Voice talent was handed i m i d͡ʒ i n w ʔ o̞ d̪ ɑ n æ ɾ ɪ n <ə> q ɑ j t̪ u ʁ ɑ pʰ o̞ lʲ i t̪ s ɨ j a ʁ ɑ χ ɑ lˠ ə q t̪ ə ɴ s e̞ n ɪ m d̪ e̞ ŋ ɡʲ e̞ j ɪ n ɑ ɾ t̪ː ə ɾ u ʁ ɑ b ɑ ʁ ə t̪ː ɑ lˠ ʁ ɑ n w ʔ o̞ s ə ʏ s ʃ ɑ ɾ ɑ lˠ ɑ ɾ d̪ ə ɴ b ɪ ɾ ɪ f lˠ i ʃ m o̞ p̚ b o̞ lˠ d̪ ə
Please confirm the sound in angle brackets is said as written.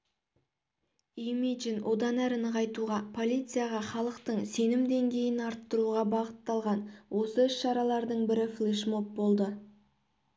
yes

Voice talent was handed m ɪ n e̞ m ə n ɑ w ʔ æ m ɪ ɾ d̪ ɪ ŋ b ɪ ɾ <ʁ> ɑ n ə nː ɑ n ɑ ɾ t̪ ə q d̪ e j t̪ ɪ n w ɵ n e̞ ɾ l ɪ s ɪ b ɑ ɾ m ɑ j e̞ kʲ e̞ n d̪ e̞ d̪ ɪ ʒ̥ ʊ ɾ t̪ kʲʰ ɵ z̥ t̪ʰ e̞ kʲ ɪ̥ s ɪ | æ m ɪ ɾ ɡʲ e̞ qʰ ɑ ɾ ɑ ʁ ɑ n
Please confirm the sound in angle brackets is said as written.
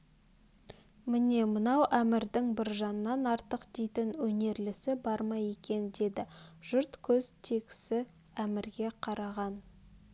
no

